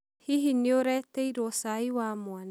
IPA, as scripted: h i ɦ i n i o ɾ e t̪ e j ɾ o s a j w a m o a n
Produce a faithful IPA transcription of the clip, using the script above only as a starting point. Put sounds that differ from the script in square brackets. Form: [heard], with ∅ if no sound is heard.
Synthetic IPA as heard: h i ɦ i n i o ɾ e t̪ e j ɾ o s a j w a m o a n